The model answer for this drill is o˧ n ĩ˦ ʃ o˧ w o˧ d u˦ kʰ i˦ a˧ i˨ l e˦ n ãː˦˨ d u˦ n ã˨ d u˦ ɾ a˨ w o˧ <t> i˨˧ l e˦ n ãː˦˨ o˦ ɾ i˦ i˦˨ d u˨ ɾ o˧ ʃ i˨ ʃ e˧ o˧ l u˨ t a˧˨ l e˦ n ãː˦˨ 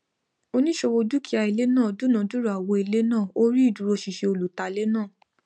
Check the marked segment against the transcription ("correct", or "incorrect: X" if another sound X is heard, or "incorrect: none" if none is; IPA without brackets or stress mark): incorrect: none